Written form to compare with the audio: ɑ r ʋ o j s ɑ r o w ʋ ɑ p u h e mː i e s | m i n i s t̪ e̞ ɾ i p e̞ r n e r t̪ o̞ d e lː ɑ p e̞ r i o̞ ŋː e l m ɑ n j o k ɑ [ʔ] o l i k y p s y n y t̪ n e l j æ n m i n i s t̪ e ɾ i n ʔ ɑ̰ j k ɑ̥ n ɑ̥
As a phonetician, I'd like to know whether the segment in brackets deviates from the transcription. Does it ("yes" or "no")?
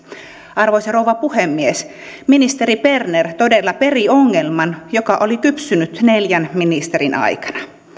no